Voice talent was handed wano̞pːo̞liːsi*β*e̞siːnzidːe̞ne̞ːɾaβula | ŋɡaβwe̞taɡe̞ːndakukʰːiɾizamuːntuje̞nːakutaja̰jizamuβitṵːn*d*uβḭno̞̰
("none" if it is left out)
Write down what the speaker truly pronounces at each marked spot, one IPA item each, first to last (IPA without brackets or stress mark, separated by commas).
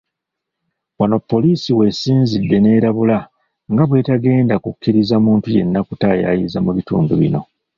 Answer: w, d